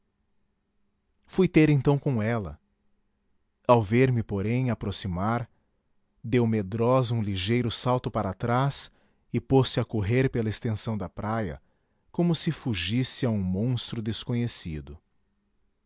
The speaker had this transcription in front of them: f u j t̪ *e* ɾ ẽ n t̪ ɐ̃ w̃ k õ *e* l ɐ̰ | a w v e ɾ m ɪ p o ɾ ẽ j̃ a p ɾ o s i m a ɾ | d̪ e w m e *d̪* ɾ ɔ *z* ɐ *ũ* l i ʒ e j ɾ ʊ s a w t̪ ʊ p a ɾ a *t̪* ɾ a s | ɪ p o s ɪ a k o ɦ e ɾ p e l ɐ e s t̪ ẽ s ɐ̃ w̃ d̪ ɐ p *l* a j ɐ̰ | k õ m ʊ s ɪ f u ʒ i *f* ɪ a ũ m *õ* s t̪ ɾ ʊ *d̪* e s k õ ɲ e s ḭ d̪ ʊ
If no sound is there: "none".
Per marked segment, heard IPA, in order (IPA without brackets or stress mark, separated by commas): e, ɛ, d̪, z, ũ, t̪, ɾ, s, õ, d̪